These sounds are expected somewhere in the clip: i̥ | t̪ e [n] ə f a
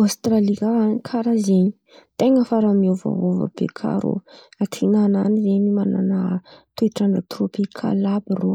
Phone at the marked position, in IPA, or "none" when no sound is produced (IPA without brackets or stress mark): ŋ